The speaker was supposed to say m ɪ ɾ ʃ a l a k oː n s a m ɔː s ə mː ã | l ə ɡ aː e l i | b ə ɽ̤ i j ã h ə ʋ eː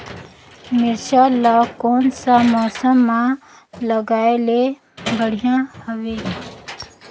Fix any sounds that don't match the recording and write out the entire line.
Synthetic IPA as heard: m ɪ ɾ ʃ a l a k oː n s a m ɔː s ə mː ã | l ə ɡ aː e l e | b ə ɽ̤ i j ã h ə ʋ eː